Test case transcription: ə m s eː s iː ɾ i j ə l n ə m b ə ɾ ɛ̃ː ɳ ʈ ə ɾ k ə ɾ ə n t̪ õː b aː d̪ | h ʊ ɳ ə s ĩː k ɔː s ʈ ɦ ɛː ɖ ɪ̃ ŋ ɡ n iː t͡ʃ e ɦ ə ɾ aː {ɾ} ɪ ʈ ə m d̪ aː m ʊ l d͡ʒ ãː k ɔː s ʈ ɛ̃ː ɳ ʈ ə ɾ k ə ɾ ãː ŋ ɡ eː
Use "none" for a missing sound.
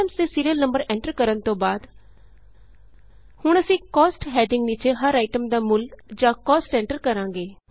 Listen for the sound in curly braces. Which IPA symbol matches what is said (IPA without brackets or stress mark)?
none